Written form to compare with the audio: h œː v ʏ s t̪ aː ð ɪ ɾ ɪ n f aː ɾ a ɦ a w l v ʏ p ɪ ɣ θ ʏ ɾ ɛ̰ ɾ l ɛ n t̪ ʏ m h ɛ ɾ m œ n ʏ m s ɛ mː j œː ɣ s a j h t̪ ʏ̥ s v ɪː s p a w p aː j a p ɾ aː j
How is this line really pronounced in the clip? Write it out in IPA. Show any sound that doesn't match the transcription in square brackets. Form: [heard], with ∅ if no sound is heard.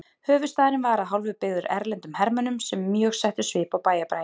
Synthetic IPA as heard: h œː v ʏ s t̪ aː ð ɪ ɾ ɪ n [v] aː ɾ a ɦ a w l v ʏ p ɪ ɣ [ð] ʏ ɾ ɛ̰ ɾ l ɛ n t̪ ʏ m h ɛ ɾ m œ n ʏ m s ɛ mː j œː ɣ s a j h t̪ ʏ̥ s v ɪː [∅] p a w p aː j a p ɾ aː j